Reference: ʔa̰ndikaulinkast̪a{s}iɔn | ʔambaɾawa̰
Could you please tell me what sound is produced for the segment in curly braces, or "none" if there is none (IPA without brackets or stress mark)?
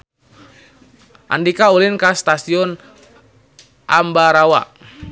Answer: s